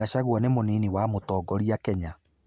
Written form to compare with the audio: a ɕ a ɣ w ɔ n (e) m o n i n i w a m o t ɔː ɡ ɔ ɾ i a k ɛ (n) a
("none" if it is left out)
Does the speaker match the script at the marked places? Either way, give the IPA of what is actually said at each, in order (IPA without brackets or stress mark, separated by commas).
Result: e, ɲ